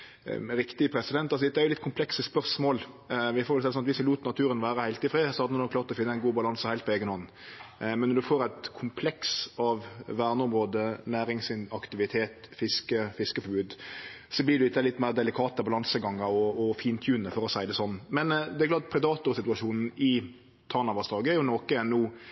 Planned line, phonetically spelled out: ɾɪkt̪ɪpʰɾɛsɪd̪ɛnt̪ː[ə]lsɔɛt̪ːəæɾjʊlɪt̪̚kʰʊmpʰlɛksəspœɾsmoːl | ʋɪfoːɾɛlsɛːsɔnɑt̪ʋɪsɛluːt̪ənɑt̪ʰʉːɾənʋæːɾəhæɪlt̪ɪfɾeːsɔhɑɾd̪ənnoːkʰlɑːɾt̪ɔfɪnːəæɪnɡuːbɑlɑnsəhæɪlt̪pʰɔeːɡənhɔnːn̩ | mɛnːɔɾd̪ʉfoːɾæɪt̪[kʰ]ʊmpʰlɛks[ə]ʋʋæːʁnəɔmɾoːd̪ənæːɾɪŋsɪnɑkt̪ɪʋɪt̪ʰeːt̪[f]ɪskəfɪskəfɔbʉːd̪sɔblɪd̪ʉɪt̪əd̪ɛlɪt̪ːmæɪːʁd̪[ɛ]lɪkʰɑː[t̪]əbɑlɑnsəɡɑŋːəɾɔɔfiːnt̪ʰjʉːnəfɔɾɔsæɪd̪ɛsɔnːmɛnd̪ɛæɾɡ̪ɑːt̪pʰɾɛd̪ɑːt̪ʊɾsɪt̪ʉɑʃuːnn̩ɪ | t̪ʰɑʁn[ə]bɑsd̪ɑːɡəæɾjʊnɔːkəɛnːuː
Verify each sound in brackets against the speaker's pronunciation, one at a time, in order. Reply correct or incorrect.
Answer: incorrect: ɑ, correct, incorrect: ɑ, correct, correct, correct, incorrect: ɑ

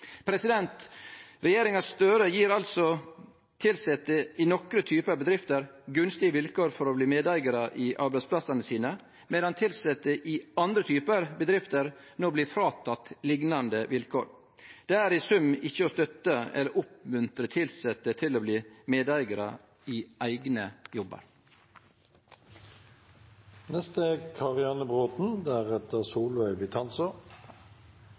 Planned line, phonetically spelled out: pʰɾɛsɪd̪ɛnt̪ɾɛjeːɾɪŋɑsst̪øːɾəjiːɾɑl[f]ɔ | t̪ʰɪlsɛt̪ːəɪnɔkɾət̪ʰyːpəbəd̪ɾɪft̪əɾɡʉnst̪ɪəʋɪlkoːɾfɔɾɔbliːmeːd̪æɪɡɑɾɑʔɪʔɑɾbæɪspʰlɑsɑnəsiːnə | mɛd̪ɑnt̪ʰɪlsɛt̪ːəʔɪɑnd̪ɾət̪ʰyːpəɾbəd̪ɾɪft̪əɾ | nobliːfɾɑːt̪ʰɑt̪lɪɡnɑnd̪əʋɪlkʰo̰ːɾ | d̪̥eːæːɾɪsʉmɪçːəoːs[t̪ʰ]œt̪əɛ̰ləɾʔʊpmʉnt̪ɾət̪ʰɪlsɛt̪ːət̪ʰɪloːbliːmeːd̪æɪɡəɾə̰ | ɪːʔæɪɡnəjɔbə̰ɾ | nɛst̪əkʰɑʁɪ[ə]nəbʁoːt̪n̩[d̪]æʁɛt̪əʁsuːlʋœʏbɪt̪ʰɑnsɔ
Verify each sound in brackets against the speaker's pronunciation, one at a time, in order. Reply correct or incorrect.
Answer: incorrect: s, incorrect: t̪, incorrect: ɑ, correct

